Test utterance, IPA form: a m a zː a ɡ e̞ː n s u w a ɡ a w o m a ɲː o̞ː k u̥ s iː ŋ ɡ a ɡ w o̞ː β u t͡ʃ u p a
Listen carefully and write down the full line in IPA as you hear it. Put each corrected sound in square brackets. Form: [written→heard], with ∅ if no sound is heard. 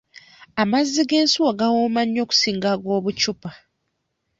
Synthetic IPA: a m a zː [a→i] ɡ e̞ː n s u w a ɡ a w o m a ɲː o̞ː k u̥ s iː ŋ ɡ a ɡ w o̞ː β u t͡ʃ u p a